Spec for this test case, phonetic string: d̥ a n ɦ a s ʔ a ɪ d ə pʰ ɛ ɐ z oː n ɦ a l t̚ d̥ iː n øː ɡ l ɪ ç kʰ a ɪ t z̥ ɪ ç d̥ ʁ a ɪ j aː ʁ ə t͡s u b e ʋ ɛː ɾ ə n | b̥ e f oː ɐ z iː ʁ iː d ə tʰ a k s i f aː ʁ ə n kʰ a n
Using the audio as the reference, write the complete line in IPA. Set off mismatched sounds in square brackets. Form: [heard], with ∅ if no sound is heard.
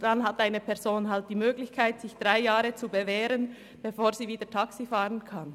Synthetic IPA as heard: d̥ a n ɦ a [t] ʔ a ɪ [n] ə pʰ ɛ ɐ z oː n ɦ a l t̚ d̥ iː [m] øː ɡ l ɪ ç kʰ a ɪ t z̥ ɪ ç d̥ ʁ a ɪ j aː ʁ ə t͡s u b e [v] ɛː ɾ ə n | b̥ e f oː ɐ z iː [v] iː d ə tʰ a k s i f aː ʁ ə n kʰ a n